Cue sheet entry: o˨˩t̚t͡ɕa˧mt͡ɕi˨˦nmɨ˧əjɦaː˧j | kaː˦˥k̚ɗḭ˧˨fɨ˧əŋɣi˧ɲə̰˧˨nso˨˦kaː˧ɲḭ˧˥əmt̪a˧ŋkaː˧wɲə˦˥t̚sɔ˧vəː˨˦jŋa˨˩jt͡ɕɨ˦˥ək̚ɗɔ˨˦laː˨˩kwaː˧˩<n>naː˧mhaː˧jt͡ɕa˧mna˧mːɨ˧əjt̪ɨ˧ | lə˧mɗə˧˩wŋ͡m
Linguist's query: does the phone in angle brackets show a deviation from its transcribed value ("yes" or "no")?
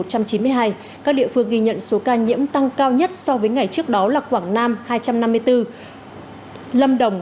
yes